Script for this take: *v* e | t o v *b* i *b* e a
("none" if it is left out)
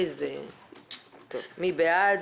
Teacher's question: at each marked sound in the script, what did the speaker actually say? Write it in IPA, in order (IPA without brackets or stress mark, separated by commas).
z, m, b